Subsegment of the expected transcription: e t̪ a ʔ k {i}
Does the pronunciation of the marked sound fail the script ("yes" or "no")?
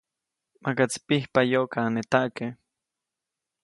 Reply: yes